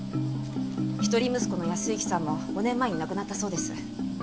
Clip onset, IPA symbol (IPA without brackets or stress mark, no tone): ç